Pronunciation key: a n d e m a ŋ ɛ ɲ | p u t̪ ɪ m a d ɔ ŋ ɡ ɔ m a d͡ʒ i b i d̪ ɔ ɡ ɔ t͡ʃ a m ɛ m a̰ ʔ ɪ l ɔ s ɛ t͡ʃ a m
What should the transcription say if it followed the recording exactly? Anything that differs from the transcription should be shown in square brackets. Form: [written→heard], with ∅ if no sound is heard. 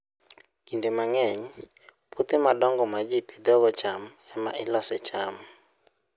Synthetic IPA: [a→i] n d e m a ŋ ɛ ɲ | p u t̪ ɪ m a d ɔ ŋ ɡ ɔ m a d͡ʒ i [b→p] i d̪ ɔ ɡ ɔ t͡ʃ a m ɛ m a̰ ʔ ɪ l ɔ s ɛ t͡ʃ a m

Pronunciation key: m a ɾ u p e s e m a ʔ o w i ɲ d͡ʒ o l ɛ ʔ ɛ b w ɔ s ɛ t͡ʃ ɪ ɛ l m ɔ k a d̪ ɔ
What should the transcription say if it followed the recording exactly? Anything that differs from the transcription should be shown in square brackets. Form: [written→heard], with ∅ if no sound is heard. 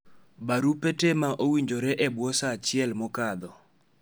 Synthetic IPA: [m→b] a ɾ u p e [s→t] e m a ʔ o w i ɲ d͡ʒ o [l→ɾ] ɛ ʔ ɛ b w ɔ s [ɛ→a] t͡ʃ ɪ ɛ l m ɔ k a d̪ ɔ

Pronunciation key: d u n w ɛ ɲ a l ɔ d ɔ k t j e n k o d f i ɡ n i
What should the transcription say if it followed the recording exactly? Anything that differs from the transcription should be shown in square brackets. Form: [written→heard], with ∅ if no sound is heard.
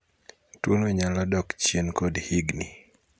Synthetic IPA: [d→t] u n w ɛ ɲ a l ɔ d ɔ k [t→t͡ʃ] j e n k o d [f→h] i ɡ n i

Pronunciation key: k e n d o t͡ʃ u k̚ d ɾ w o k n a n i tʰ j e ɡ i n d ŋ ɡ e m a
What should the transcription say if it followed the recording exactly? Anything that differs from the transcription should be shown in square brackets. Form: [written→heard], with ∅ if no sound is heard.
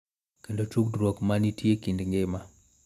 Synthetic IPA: k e n d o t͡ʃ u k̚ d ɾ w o k [n→m] a n i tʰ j e [ɡ→k] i n d ŋ ɡ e m a

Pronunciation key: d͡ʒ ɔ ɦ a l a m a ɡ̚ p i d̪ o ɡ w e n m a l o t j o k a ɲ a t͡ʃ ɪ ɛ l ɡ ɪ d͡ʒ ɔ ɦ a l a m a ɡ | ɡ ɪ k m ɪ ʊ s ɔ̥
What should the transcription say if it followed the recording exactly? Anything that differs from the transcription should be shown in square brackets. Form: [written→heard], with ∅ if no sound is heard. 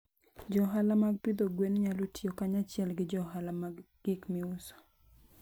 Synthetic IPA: d͡ʒ ɔ ɦ a l a m a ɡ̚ p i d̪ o ɡ w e n [m→ɲ] a l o t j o k a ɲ a t͡ʃ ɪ ɛ l ɡ ɪ d͡ʒ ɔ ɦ a l a m a ɡ | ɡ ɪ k m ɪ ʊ s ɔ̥

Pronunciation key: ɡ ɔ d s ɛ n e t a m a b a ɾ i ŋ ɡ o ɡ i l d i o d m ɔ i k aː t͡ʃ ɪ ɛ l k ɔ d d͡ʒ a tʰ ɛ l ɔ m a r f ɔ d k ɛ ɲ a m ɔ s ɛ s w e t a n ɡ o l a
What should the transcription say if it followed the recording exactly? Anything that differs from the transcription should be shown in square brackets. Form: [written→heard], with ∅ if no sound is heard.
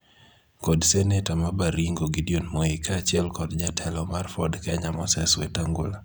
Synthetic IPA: [ɡ→k] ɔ d s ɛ n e t a m a b a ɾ i ŋ ɡ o ɡ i [l→∅] d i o [d→n] m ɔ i k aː t͡ʃ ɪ ɛ l k ɔ d d͡ʒ a tʰ ɛ l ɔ m a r f ɔ d k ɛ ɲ a m ɔ s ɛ s w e t a [n→ŋ] ɡ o l a

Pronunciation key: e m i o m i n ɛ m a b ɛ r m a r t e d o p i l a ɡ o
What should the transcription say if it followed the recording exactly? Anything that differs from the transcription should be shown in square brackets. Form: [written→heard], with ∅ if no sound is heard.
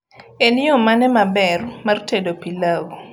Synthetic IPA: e [m→n] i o m [i→a] n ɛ m a b ɛ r m a r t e d o p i l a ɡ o

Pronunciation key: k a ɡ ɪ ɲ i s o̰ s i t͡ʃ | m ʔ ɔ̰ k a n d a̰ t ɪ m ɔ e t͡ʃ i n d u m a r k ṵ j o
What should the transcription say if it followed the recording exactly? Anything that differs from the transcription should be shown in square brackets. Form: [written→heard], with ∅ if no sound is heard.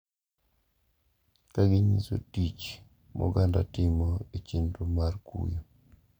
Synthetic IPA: k a ɡ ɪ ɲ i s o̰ [s→t] i t͡ʃ | m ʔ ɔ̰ [k→ɡ] a n d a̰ t ɪ m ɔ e t͡ʃ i n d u m a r k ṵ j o

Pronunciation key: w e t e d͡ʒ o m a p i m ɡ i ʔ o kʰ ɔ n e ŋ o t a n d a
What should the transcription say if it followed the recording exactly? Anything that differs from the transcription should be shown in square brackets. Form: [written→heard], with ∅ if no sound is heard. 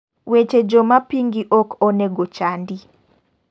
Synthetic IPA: w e [t→t͡ʃ] e d͡ʒ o m a p i [m→ŋ] ɡ i ʔ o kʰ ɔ n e [ŋ→ɡ] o [t→t͡ʃ] a n d [a→i]

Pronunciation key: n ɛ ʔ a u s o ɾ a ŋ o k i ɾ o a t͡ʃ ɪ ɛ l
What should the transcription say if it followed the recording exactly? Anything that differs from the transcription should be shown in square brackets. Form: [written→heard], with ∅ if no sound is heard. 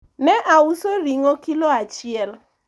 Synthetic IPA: n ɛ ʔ a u s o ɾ [a→i] ŋ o k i [ɾ→l] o a t͡ʃ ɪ ɛ l

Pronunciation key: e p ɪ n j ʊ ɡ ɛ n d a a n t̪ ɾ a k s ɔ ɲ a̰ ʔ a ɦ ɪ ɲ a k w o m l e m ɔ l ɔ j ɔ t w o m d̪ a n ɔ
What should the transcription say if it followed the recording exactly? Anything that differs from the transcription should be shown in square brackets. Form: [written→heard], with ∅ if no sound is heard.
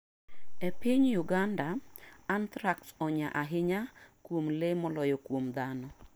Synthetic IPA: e p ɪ [n→ɲ] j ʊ ɡ [ɛ→a] n d a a n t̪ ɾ a k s ɔ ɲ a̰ ʔ a ɦ ɪ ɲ a k w o m l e m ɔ l ɔ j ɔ [t→k] w o m d̪ a n ɔ

